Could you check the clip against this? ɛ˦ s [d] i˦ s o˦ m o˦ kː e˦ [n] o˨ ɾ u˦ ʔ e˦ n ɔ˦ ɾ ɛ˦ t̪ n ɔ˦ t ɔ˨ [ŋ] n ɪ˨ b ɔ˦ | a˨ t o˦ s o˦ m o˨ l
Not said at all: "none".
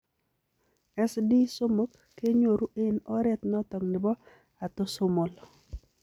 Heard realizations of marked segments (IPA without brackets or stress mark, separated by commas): d, ɲ, ŋ